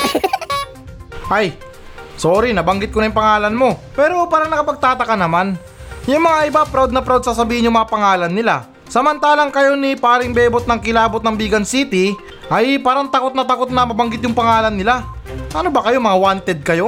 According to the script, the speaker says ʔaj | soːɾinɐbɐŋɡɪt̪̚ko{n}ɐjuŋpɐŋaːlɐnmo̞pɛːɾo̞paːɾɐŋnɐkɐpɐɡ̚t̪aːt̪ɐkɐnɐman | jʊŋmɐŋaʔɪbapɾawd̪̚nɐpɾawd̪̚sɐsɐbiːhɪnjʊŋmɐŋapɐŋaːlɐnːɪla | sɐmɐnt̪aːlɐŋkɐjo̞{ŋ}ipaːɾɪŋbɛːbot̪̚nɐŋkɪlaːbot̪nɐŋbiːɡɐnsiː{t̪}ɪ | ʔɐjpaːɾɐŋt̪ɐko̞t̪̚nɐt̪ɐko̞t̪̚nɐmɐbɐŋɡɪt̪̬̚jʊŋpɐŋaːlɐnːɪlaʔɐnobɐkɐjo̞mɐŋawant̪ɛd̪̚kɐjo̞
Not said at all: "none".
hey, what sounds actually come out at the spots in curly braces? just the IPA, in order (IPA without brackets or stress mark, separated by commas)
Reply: n, n, t̪